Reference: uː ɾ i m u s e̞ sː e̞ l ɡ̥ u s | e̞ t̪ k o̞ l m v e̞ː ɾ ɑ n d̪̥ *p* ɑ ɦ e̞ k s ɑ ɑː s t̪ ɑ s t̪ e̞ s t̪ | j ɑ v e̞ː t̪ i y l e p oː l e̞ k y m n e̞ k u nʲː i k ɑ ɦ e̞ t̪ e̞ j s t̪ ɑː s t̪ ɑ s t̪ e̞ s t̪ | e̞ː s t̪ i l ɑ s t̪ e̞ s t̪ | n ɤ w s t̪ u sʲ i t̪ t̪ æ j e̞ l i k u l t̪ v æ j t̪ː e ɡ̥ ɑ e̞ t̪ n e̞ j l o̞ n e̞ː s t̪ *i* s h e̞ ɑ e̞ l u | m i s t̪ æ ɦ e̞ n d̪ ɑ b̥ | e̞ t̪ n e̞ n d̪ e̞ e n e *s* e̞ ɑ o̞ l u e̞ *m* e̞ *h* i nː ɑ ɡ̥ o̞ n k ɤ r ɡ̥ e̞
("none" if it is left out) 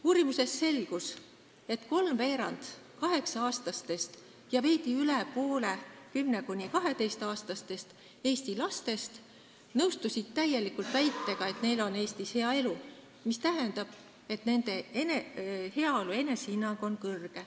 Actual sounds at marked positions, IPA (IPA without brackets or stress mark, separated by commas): k, i, h, n, s